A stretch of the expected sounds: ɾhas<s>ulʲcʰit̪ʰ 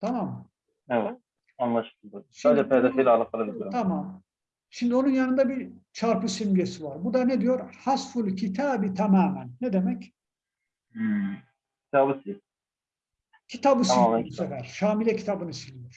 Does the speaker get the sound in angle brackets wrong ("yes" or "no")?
yes